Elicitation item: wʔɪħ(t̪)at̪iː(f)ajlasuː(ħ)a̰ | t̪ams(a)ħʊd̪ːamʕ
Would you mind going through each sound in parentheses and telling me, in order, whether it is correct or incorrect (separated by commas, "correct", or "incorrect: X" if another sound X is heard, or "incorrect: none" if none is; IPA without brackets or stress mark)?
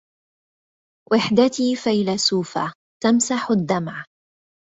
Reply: incorrect: d̪, correct, incorrect: f, correct